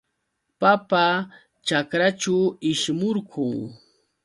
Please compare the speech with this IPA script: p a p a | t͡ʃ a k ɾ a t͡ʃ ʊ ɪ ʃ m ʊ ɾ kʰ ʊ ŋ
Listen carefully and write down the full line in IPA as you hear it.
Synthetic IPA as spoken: p a p a | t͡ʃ a k ɾ a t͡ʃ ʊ ɪ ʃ m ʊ ɾ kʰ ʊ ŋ